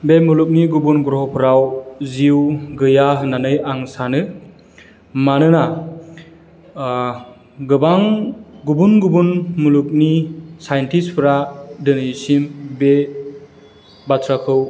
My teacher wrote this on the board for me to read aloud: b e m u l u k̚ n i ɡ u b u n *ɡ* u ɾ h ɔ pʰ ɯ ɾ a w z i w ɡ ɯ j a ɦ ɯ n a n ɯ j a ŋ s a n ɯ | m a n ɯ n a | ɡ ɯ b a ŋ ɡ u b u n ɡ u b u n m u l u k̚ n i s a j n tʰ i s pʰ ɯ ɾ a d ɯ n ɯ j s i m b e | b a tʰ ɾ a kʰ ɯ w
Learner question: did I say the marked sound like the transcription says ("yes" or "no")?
yes